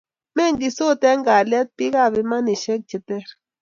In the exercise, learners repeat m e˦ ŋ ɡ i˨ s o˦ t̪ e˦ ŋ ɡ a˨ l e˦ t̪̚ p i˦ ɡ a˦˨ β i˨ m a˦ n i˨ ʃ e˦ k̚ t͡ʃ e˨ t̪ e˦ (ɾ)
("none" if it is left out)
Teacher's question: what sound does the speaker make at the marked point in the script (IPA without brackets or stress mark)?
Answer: ɾ